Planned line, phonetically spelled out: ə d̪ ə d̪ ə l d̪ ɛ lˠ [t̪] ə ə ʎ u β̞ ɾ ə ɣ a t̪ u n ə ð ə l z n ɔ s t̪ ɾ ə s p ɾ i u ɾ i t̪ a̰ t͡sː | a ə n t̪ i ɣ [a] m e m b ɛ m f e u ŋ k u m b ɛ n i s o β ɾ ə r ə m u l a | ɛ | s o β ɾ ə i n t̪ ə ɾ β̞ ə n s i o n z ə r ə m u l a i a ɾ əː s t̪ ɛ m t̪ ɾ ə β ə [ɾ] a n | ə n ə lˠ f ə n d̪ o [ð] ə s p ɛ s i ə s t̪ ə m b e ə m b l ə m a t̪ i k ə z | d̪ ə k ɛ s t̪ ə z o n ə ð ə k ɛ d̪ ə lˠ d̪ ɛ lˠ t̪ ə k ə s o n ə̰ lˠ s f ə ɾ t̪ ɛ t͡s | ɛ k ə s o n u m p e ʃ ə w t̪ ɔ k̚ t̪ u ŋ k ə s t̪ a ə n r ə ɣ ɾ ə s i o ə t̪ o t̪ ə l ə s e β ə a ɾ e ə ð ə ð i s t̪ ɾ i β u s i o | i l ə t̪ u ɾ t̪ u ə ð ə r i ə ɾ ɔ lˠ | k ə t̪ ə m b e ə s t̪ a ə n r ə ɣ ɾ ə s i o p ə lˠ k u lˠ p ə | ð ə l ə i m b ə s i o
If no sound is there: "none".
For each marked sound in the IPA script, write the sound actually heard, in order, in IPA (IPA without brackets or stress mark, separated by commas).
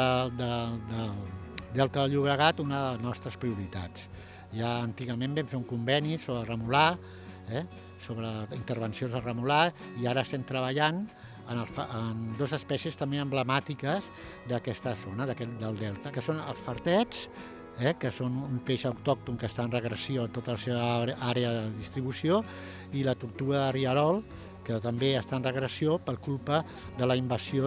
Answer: t̪, ə, ʎ, z